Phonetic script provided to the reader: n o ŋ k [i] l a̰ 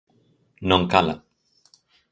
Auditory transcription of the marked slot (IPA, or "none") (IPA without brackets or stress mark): a